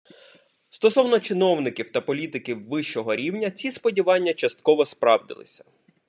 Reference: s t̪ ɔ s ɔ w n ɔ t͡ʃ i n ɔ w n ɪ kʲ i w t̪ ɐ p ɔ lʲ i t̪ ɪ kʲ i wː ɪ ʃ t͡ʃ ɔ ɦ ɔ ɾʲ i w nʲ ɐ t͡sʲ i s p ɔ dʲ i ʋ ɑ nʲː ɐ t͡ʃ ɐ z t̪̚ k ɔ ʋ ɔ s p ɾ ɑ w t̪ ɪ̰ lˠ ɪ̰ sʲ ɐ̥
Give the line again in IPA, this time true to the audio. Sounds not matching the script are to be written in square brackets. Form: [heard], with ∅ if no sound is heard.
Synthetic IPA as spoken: s t̪ ɔ s ɔ w n ɔ t͡ʃ [ɪ] n ɔ w n ɪ kʲ i w t̪ ɐ p ɔ lʲ i t̪ ɪ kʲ i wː ɪ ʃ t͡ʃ ɔ ɦ ɔ ɾʲ i w nʲ ɐ t͡sʲ i s p ɔ dʲ i ʋ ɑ nʲː ɐ t͡ʃ ɐ [s] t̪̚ k ɔ ʋ ɔ s p ɾ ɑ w [d̪] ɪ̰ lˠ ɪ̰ sʲ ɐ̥